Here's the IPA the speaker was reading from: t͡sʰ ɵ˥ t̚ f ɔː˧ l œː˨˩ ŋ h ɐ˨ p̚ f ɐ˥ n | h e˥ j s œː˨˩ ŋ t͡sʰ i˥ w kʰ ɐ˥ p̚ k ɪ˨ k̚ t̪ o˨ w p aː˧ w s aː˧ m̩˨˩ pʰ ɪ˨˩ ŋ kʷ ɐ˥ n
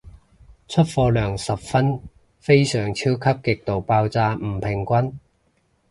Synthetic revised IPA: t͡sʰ ɵ˥ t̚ f ɔː˧ l œː˨˩ ŋ s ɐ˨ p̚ f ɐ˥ n | f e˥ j s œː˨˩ ŋ t͡sʰ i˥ w kʰ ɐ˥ p̚ k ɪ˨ k̚ t̪ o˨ w p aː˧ w t͡s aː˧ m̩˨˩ pʰ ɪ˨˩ ŋ kʷ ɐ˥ n